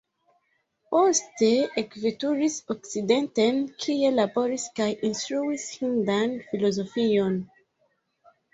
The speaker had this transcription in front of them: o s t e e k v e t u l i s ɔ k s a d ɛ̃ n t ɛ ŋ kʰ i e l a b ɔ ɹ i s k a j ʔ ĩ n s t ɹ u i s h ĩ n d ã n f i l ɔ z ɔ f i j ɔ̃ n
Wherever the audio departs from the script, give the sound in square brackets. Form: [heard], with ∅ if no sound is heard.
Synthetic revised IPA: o s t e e k v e t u [ɹ] i s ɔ k s [i] d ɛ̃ n t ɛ [n] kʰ i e l a b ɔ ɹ i s k a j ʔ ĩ n s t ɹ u i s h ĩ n d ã n f i l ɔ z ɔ f i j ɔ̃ n